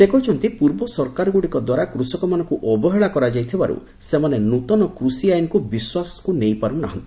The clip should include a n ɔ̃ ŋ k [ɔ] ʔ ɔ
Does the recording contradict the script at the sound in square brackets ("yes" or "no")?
yes